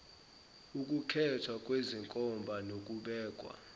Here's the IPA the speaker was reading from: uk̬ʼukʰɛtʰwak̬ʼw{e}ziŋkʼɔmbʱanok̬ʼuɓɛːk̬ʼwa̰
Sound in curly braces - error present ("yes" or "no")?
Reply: no